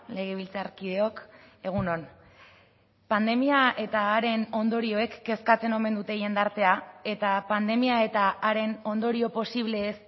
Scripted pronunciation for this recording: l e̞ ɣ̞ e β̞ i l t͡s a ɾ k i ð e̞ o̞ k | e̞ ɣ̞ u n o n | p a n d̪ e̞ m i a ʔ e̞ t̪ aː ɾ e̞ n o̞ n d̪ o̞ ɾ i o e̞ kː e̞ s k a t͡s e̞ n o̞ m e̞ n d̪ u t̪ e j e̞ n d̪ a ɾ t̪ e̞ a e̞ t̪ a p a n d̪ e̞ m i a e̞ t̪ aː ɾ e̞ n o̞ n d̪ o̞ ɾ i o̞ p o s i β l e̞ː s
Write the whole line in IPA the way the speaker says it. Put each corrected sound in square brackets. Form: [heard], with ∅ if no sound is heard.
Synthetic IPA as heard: l e̞ ɣ̞ e β̞ i l t͡s a ɾ k i ð e̞ o̞ k | e̞ ɣ̞ u n o n | p a n d̪ e̞ m i a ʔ e̞ t̪ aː ɾ e̞ n o̞ n d̪ o̞ ɾ i o e̞ kː e̞ s k a t͡s e̞ n o̞ m e̞ n d̪ u t̪ e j e̞ n d̪ a ɾ t̪ e̞ a e̞ t̪ a p a n d̪ e̞ m i a e̞ t̪ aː ɾ e̞ n o̞ n d̪ o̞ ɾ i o̞ p o s i β l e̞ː s

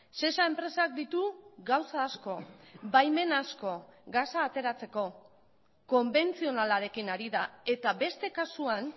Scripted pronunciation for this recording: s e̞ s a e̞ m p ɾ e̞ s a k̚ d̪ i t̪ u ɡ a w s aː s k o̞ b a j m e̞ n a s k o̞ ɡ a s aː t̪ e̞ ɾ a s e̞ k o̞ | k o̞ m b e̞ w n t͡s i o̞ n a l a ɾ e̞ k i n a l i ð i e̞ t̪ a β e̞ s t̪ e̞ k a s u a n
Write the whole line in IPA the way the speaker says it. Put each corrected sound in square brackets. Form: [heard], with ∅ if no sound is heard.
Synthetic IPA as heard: s e̞ s a e̞ m p ɾ e̞ s a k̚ d̪ i t̪ u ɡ a w s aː s k o̞ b a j m e̞ n a s k o̞ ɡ a s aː t̪ e̞ ɾ a [t͡s] e̞ k o̞ | k o̞ m b e̞ [∅] n t͡s i o̞ n a l a ɾ e̞ k i n a [ɾ] i ð [a] e̞ t̪ a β e̞ s t̪ e̞ k a s u a n

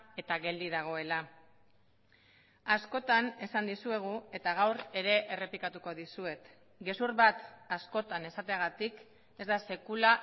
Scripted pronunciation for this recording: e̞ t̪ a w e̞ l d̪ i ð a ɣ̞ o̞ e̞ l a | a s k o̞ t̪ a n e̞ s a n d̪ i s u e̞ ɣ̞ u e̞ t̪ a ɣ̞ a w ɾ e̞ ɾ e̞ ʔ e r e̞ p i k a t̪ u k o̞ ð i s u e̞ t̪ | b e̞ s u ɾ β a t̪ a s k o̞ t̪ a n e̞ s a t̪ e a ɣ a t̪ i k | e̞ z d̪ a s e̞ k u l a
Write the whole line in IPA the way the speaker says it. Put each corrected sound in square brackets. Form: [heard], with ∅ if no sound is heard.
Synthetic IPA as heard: e̞ t̪ a [ɣ] e̞ l d̪ i ð a ɣ̞ o̞ e̞ l a | a s k o̞ t̪ a n e̞ s a n d̪ i s u e̞ ɣ̞ u e̞ t̪ a ɣ̞ a w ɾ e̞ ɾ e̞ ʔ e r e̞ p i k a t̪ u k o̞ ð i s u e̞ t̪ | [ɡ] e̞ s u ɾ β a t̪ a s k o̞ t̪ a n e̞ s a t̪ e a ɣ a t̪ i k | e̞ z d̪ a s e̞ k u l a

